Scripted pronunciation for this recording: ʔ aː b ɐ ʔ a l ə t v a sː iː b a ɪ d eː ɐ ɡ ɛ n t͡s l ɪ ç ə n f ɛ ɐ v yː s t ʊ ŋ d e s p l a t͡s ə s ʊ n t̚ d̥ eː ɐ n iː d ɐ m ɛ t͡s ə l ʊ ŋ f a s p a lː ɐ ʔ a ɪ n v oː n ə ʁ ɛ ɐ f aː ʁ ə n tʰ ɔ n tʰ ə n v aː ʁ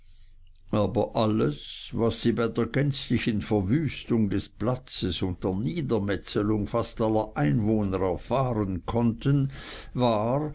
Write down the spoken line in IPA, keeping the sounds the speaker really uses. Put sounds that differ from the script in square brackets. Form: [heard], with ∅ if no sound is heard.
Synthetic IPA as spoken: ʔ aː b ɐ ʔ a l ə [s] v a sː iː b a ɪ d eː ɐ ɡ ɛ n t͡s l ɪ ç ə n f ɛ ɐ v yː s t ʊ ŋ d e s p l a t͡s ə s ʊ n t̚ d̥ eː ɐ n iː d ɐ m ɛ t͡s ə l ʊ ŋ f a s [t] a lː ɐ ʔ a ɪ n v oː n ə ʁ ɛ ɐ f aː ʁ ə n [kʰ] ɔ n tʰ ə n v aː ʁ